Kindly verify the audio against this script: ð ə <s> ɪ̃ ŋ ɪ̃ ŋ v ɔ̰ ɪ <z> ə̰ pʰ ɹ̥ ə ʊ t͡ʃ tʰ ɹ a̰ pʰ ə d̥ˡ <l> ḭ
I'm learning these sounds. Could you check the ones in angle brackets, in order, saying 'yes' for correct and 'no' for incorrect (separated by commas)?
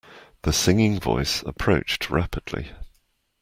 yes, no, yes